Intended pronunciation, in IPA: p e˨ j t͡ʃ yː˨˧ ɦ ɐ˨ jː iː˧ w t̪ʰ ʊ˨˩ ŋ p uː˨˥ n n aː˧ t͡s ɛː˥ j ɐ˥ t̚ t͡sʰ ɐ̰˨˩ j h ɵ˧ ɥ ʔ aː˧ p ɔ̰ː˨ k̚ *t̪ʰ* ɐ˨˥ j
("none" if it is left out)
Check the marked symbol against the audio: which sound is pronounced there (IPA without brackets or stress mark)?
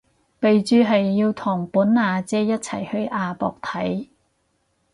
t̪ʰ